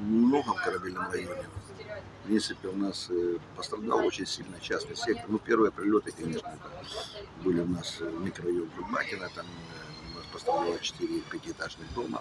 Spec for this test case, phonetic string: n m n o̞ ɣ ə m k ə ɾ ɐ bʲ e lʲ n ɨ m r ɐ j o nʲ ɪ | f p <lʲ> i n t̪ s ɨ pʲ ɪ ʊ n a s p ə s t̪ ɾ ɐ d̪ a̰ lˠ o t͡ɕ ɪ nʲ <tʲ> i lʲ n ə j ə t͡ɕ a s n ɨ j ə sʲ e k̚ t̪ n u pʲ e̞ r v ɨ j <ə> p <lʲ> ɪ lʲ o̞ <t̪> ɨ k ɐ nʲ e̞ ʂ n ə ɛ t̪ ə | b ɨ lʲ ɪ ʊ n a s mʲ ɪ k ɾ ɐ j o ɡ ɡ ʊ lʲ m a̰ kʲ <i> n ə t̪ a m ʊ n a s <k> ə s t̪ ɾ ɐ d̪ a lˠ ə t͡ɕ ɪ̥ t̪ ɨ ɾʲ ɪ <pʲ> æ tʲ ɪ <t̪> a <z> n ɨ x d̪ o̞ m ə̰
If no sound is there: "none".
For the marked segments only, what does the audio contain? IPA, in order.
ɾʲ, sʲ, ə, ɾʲ, t̪, ɪ, p, pʲ, t̪, ʐ

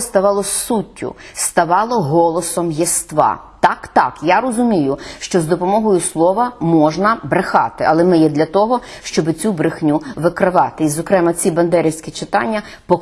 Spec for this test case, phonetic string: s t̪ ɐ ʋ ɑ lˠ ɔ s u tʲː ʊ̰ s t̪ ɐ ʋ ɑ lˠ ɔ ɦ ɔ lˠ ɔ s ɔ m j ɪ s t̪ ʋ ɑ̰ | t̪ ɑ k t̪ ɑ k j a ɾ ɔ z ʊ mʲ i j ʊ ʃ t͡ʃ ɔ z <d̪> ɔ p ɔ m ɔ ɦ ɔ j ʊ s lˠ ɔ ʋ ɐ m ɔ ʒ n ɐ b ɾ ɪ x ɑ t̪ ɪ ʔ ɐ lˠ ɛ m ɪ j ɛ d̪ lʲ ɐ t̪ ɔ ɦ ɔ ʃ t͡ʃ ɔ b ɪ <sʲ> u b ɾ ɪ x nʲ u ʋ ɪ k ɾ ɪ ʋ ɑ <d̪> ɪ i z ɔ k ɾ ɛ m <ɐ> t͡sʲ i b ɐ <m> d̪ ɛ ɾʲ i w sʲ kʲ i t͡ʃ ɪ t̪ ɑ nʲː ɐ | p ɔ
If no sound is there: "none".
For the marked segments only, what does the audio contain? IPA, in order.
d̪, t͡sʲ, t̪, ɐ, n

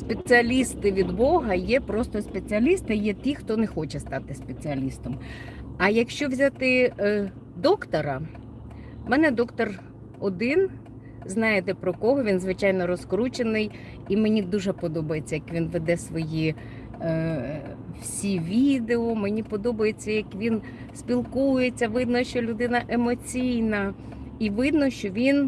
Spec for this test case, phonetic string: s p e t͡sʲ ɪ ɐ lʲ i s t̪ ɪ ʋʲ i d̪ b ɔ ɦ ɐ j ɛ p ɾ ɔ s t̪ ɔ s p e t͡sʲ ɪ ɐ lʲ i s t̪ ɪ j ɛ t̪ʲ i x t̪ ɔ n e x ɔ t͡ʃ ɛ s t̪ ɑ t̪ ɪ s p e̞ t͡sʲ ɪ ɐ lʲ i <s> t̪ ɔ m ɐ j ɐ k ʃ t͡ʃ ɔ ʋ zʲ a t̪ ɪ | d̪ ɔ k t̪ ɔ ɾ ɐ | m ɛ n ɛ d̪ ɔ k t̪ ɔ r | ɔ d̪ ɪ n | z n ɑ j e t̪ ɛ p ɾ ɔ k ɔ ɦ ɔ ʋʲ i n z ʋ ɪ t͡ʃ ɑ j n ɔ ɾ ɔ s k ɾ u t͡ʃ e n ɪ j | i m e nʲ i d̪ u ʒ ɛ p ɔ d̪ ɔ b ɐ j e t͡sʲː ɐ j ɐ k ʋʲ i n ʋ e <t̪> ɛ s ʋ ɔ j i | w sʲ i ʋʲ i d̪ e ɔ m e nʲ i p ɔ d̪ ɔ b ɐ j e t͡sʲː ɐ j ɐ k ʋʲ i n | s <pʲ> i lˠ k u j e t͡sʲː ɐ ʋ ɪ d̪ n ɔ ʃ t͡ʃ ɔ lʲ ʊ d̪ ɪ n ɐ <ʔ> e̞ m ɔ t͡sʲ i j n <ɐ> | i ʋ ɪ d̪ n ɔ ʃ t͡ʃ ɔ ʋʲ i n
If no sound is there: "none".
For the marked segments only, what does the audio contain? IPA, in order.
s, d̪, pʲ, ʔ, ɐ

